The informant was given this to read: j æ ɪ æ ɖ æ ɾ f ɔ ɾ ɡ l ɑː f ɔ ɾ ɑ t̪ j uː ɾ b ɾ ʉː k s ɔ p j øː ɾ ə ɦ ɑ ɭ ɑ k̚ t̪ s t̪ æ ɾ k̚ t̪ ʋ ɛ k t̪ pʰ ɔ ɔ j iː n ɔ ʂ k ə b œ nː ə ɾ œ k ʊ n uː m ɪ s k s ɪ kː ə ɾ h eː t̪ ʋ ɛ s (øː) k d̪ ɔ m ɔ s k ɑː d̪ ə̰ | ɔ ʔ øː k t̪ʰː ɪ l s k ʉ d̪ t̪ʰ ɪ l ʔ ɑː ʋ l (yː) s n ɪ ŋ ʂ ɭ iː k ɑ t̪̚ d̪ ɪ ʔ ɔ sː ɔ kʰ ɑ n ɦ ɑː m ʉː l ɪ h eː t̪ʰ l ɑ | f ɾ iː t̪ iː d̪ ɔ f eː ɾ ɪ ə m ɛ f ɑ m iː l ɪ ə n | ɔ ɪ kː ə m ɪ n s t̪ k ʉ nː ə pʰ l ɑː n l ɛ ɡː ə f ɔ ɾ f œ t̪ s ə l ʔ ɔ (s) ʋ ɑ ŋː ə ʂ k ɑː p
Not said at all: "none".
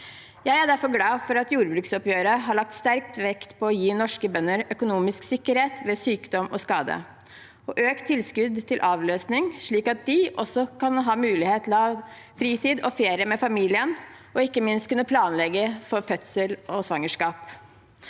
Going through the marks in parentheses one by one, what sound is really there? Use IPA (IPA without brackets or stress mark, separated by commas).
yː, øː, s